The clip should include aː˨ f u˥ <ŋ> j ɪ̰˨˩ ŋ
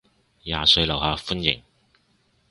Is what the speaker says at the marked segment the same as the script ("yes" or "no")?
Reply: no